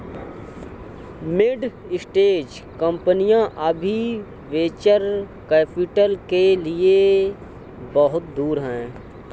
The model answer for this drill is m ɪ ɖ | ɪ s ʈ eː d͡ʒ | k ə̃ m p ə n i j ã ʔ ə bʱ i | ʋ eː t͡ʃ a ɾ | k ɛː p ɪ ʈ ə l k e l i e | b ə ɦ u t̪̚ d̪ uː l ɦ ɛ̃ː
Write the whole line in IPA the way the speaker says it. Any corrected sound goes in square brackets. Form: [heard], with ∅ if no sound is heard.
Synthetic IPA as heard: m ɪ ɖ | ɪ s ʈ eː d͡ʒ | k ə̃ m p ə n i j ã ʔ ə bʱ i | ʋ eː t͡ʃ [ə] ɾ | k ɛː p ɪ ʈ ə l k e l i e | b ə ɦ [ʊ] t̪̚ d̪ uː [ɾ] ɦ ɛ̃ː